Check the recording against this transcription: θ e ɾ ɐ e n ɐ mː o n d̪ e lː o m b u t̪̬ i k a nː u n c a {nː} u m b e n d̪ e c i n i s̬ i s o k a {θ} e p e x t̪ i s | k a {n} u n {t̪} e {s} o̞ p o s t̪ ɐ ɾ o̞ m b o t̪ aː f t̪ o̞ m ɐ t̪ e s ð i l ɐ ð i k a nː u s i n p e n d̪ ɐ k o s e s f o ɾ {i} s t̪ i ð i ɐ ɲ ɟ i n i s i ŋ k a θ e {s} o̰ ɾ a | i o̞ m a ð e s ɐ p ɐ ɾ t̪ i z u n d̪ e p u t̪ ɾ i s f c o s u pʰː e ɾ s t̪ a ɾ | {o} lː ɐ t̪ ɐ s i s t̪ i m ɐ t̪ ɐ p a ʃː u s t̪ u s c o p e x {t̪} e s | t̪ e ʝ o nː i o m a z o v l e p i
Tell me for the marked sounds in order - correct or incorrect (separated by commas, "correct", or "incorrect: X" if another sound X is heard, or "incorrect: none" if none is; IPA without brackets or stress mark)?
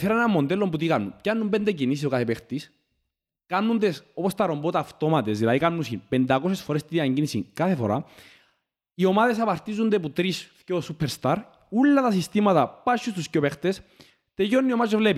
correct, correct, incorrect: nː, incorrect: d̪, correct, incorrect: e, incorrect: f, incorrect: u, correct